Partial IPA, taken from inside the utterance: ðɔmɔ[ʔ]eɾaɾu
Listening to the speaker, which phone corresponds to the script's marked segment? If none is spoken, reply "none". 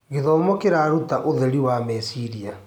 k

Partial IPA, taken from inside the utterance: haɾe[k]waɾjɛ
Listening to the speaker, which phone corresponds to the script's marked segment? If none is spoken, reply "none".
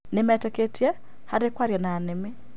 k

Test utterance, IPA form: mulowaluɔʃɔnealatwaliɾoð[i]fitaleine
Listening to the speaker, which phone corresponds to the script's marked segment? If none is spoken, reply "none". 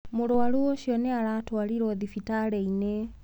i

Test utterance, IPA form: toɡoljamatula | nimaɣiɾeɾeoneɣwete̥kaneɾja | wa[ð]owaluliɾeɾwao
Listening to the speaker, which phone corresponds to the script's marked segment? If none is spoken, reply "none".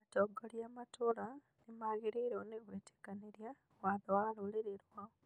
ð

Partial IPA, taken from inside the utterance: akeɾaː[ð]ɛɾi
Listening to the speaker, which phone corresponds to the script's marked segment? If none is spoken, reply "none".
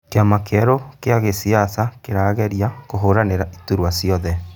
ɣ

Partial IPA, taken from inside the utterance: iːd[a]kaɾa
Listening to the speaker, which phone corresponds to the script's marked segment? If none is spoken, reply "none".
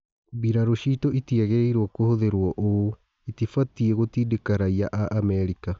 e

